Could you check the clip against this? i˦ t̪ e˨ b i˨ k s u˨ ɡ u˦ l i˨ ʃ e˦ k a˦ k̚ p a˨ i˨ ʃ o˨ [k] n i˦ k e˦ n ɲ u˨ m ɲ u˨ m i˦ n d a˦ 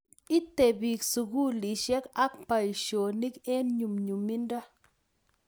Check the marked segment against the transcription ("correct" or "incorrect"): incorrect